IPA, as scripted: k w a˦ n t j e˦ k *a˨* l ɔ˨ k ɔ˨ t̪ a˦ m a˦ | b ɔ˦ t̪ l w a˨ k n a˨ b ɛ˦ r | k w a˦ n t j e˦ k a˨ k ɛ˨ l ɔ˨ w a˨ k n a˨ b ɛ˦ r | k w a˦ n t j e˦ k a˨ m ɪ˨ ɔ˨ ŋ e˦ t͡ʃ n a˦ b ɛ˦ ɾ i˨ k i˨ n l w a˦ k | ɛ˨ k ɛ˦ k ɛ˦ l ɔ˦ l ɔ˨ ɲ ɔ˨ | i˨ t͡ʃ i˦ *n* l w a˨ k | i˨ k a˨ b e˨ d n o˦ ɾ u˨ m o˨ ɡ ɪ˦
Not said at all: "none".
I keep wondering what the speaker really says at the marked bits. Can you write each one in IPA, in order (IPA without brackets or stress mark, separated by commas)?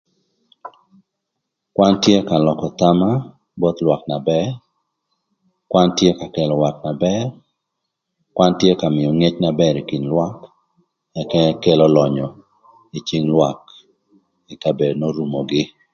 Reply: a˨, ŋ